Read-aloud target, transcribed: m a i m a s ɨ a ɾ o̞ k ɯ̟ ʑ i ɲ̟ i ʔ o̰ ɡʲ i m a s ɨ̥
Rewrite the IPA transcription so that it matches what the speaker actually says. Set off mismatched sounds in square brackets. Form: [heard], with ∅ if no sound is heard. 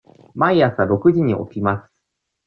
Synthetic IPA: m a i [∅] a s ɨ a ɾ o̞ k ɯ̟ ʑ i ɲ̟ i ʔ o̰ [kʲ] i m a s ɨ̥